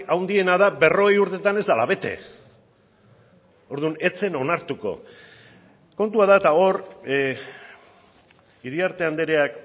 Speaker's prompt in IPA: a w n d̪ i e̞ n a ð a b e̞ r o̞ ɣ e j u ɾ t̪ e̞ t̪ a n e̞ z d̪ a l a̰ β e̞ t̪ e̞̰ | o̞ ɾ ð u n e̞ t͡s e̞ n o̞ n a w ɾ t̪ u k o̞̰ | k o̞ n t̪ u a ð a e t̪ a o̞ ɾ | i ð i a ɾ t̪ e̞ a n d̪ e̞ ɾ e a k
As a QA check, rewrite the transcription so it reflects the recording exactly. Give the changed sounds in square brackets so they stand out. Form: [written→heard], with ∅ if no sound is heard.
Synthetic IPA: a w n d̪ i e̞ n a ð a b e̞ r o̞ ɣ e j u ɾ t̪ e̞ t̪ a n e̞ z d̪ a l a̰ β e̞ t̪ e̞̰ | o̞ ɾ ð u n e̞ t͡s e̞ n o̞ n a [w→∅] ɾ t̪ u k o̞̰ | k o̞ n t̪ u a ð a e t̪ a o̞ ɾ | i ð i a ɾ t̪ e̞ a n d̪ e̞ ɾ e a k